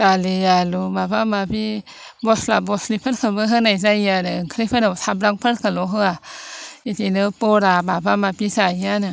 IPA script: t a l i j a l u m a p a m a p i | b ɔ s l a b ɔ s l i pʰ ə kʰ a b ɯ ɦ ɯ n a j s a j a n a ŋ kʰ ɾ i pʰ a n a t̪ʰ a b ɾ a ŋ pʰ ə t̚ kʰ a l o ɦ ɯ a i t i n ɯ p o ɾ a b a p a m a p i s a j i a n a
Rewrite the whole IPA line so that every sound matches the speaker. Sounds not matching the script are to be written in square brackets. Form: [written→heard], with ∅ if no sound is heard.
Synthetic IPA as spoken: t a l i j a l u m a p a m a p i | b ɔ s l a b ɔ s l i pʰ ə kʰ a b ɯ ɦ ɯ n a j s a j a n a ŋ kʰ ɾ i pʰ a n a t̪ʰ a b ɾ a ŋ pʰ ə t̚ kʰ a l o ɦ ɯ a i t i n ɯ p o ɾ a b a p a m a p i s a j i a n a